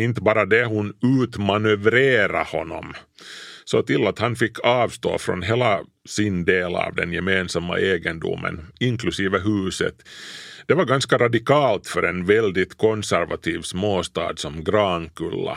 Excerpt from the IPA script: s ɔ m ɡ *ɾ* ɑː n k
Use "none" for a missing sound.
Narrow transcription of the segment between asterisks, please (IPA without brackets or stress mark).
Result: ɾ